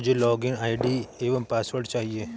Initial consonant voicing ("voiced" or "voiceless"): voiced